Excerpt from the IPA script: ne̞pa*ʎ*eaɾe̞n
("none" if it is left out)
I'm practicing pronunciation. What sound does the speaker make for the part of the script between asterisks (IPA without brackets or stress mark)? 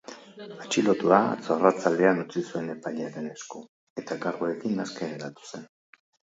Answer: ʎ